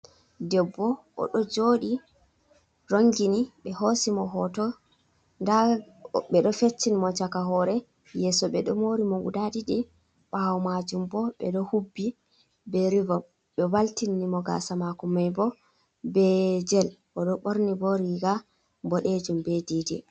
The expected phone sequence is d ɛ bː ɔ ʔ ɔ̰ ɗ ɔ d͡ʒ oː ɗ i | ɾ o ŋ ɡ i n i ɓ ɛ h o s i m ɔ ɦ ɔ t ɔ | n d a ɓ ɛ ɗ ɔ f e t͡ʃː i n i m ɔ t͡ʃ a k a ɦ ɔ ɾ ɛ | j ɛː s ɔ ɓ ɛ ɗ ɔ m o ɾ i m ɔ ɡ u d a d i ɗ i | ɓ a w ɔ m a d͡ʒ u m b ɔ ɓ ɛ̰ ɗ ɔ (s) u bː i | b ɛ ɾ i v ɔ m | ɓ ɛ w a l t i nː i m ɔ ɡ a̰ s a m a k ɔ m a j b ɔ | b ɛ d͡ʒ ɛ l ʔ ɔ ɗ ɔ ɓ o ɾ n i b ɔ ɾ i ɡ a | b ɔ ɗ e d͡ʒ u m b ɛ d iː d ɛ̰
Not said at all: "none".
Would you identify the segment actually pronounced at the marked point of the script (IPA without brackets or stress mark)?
h